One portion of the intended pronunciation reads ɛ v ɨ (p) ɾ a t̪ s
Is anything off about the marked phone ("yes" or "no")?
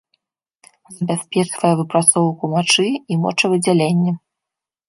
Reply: no